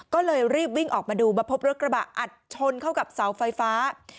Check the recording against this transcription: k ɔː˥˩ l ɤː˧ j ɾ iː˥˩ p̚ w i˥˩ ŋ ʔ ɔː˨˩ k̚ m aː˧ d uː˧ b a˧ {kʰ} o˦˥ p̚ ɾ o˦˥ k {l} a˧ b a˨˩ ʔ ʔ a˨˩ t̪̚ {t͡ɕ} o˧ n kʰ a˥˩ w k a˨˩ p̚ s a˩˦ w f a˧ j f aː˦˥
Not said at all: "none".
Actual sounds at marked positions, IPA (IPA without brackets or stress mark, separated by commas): pʰ, ɾ, t͡ɕʰ